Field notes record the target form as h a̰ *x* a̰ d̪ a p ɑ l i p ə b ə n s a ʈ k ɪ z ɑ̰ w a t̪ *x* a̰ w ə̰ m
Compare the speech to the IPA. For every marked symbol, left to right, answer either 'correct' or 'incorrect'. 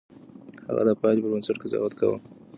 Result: incorrect, incorrect

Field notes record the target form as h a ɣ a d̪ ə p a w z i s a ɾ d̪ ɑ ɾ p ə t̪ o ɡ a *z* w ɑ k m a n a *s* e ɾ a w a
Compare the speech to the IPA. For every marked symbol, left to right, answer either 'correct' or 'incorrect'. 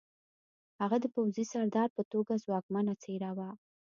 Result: correct, incorrect

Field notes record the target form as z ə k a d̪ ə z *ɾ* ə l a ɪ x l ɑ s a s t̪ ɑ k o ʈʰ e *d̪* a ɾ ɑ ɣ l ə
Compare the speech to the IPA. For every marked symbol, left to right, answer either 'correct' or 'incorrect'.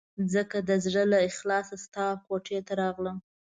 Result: incorrect, incorrect

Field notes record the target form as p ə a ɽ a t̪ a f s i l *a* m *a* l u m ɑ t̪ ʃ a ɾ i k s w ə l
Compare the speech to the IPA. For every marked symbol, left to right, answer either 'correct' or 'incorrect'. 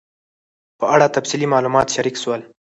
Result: incorrect, incorrect

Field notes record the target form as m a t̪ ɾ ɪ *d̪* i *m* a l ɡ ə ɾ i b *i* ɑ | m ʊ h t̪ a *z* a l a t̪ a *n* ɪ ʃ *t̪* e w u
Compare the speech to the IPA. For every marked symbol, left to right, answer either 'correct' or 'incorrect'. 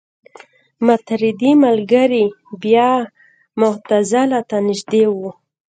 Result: correct, correct, incorrect, correct, correct, incorrect

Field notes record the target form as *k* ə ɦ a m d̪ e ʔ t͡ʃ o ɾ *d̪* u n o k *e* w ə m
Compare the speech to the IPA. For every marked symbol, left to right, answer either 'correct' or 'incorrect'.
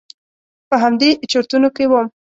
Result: incorrect, incorrect, correct

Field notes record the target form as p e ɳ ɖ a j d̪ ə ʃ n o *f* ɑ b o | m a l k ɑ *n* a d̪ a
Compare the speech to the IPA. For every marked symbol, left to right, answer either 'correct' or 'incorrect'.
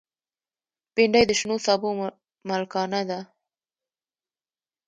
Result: incorrect, correct

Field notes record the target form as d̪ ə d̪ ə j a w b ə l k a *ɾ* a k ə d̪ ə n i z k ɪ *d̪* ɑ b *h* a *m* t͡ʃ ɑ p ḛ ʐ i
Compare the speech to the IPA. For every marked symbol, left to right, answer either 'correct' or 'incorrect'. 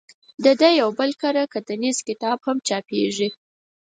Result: correct, incorrect, correct, correct

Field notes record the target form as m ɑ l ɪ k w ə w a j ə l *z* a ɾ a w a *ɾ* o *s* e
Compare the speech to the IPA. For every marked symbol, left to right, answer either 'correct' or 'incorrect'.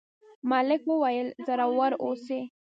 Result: correct, correct, correct

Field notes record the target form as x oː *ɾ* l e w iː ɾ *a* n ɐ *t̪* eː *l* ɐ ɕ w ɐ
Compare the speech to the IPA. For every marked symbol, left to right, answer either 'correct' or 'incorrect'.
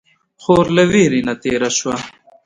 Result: correct, incorrect, correct, incorrect

